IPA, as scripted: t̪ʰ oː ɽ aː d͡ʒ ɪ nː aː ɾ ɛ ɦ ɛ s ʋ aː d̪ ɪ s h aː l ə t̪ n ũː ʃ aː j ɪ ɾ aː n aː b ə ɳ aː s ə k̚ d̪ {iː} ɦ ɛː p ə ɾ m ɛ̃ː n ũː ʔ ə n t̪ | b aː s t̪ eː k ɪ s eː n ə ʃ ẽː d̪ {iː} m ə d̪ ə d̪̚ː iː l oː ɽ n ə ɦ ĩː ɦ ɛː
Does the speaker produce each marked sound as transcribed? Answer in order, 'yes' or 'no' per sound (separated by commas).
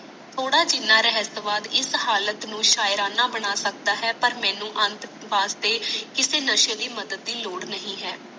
no, yes